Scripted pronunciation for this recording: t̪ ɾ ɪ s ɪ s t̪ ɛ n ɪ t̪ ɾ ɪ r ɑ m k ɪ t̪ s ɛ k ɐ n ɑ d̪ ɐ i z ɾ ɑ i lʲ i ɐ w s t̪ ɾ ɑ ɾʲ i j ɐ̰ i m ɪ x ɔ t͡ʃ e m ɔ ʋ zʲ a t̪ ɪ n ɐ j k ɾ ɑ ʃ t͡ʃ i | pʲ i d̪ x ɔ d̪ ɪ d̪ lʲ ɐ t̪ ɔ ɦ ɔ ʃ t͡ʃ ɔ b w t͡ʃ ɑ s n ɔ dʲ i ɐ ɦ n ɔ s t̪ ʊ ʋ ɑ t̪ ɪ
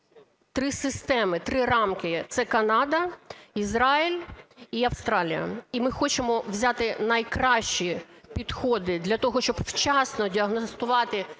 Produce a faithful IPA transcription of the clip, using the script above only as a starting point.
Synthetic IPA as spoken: t̪ ɾ ɪ s ɪ s t̪ ɛ m ɪ t̪ ɾ ɪ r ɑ m k ɪ t̪ s ɛ k ɐ n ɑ d̪ ɐ i z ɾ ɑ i lʲ i ɐ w s t̪ ɾ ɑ lʲ i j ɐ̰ i m ɪ x ɔ t͡ʃ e m ɔ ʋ zʲ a t̪ ɪ n ɐ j k ɾ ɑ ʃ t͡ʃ i | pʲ i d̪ x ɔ d̪ ɪ d̪ lʲ ɐ t̪ ɔ ɦ ɔ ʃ t͡ʃ ɔ b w t͡ʃ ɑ s n ɔ dʲ i ɐ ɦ n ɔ s t̪ ʊ ʋ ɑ t̪ ɪ